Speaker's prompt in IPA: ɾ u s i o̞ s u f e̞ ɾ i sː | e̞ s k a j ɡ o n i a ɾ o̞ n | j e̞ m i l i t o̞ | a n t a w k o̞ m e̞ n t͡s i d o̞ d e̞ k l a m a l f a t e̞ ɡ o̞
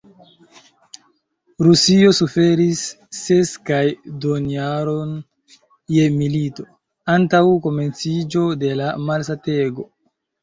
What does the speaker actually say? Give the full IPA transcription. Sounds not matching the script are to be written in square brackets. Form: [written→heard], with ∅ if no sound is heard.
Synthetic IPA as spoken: ɾ u s i o̞ s u f e̞ ɾ i sː | e̞ s k a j [ɡ→d] o n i a ɾ o̞ n | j e̞ m i l i t o̞ | a n t a w k o̞ m e̞ n t͡s i [d→d͡ʒ] o̞ d e̞ [k→∅] l a m a l [f→s] a t e̞ ɡ o̞